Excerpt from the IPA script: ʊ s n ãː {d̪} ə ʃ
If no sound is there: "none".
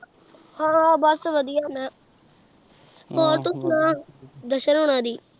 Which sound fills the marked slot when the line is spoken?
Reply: d̪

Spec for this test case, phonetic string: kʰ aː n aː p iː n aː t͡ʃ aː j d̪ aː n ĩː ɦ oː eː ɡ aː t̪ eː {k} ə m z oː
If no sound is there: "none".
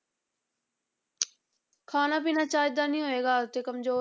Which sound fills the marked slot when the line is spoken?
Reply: k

